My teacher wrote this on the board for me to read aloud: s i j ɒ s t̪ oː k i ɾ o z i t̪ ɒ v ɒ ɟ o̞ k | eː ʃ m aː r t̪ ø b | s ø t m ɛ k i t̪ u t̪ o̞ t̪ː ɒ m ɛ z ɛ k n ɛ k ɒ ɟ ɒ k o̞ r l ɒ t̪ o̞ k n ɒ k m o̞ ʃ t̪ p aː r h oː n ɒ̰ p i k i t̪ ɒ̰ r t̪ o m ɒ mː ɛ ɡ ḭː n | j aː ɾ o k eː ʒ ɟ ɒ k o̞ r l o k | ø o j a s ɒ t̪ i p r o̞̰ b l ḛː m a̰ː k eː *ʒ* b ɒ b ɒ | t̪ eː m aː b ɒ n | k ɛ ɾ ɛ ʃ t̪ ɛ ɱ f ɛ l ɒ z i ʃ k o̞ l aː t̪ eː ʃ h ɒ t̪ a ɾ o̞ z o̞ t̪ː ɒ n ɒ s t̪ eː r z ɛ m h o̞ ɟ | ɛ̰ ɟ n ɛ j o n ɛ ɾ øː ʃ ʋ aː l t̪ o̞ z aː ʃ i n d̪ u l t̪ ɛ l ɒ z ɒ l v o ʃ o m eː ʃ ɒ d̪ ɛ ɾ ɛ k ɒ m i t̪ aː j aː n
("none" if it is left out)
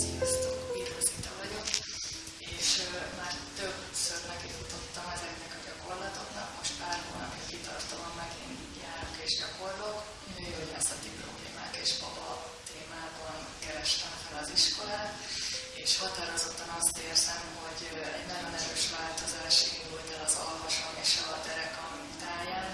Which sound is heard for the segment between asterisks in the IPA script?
ʃ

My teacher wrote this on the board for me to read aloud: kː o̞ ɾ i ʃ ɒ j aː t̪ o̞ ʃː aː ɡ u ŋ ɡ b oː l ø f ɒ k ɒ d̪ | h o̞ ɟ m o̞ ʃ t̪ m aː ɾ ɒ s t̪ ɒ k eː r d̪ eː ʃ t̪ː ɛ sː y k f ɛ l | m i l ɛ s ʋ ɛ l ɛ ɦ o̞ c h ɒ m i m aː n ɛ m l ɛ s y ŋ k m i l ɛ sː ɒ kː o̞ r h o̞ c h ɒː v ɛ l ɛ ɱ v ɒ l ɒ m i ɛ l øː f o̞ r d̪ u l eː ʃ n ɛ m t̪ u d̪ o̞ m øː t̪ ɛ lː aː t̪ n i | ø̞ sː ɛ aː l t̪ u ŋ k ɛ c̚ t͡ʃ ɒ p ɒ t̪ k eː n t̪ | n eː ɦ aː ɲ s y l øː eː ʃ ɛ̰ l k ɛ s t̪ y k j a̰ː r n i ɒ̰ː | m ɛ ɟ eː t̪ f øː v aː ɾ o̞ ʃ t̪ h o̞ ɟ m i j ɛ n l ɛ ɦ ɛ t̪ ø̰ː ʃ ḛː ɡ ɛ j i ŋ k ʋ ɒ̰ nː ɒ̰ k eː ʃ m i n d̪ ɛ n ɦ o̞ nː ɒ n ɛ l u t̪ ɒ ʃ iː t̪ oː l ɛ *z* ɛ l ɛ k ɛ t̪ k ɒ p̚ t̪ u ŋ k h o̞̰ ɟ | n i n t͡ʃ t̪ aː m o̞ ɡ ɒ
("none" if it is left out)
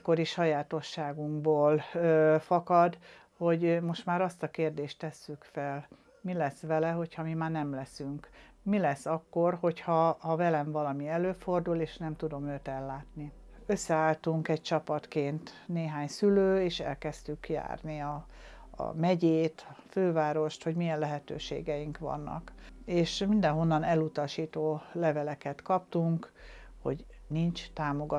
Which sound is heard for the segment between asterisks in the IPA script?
v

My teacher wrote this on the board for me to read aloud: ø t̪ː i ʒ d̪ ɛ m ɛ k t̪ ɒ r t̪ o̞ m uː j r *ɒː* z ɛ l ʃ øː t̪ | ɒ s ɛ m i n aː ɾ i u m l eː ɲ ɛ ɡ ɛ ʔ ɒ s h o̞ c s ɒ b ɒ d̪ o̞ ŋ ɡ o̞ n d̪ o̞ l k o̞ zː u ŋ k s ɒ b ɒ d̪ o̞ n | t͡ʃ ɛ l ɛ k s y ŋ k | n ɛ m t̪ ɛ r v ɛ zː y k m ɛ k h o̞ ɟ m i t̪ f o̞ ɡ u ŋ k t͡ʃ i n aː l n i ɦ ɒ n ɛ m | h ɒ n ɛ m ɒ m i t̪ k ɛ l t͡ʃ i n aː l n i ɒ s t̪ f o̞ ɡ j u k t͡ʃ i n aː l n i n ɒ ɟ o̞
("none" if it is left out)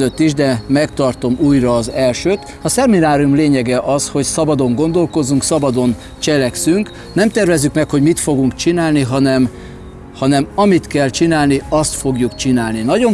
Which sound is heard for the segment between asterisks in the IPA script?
ɒː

